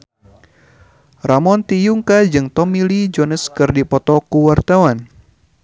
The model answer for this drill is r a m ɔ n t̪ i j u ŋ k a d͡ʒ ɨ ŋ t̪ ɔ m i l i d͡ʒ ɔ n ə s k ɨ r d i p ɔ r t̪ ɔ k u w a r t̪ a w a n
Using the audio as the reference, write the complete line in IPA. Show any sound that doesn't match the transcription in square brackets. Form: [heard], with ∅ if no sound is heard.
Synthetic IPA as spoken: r a m ɔ n t̪ i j u ŋ k a d͡ʒ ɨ ŋ t̪ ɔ m i l i d͡ʒ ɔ n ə s k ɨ r d i p ɔ [∅] t̪ ɔ k u w a r t̪ a w a n